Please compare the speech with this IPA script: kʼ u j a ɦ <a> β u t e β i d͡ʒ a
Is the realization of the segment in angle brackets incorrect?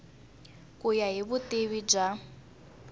yes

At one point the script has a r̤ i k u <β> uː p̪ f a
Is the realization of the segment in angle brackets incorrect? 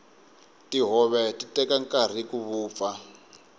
no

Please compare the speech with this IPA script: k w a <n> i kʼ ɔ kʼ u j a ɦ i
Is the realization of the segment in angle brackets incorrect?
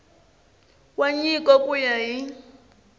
yes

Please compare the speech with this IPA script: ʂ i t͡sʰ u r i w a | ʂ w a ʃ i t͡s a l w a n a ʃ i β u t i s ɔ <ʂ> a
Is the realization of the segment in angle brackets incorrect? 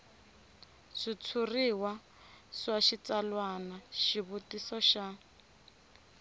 yes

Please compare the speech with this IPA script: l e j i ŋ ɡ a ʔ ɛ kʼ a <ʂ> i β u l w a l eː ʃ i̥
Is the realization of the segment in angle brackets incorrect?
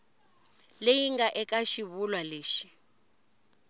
yes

